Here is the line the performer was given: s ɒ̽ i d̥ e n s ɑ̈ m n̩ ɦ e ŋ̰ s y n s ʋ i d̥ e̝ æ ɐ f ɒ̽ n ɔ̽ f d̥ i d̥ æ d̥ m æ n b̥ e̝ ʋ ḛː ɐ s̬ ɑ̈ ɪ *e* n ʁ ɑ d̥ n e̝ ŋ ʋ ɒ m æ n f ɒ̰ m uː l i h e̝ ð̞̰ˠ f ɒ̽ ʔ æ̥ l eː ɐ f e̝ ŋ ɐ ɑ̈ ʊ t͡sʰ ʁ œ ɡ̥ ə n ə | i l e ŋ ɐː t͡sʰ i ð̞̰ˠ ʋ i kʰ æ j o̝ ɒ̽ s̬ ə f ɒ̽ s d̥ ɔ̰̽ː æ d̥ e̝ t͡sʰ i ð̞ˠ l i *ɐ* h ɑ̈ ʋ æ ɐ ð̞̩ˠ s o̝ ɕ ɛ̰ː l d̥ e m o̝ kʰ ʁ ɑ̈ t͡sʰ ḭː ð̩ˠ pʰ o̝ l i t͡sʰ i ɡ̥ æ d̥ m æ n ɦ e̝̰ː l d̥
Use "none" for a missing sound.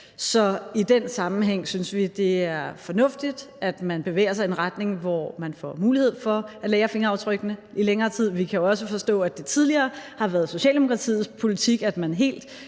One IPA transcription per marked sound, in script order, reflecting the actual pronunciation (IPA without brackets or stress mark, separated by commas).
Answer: e, ɐː